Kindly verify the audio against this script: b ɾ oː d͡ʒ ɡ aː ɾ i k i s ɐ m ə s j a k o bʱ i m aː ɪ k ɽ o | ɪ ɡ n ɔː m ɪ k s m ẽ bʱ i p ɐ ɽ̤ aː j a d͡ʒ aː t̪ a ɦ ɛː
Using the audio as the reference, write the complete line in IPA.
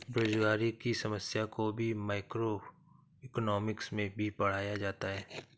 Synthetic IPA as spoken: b ɾ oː d͡ʒ ɡ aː ɾ i k i s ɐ m ə s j a k o bʱ i m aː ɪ k ɾ o | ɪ k n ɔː m ɪ k s m ẽ bʱ i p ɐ ɽ̤ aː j a d͡ʒ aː t̪ a ɦ ɛː